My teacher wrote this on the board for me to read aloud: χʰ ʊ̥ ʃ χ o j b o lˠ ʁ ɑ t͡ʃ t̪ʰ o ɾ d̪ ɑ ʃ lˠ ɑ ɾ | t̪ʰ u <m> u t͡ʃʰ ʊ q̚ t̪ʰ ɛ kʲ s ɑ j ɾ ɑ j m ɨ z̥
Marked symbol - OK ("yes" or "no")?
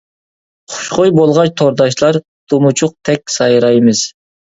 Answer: yes